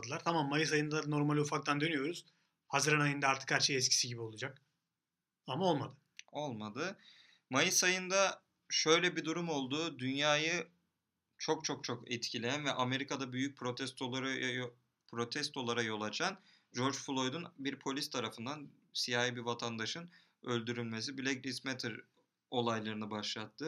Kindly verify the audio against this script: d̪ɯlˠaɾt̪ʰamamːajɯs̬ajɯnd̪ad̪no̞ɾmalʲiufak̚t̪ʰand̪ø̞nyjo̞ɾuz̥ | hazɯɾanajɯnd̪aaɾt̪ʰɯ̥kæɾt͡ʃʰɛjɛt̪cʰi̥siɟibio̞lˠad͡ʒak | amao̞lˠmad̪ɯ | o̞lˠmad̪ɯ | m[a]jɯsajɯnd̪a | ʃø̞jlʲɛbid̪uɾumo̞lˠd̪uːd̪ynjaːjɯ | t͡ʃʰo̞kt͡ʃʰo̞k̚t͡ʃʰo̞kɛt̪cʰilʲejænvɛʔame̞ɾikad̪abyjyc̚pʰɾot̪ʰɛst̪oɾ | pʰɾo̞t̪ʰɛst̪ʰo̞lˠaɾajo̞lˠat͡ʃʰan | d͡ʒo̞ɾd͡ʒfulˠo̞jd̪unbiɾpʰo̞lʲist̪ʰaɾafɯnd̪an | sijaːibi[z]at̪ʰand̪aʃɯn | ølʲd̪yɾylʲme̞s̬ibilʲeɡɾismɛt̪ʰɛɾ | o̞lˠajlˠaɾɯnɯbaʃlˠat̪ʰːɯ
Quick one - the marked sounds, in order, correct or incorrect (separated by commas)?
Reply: correct, incorrect